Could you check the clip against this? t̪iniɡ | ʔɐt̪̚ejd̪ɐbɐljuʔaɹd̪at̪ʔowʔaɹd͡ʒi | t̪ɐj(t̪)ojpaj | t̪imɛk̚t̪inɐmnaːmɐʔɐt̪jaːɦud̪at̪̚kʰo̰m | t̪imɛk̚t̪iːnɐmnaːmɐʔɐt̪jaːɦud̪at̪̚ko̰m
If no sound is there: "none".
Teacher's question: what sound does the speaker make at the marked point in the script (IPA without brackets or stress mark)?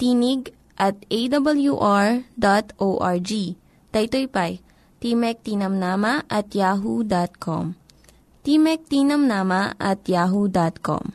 t̪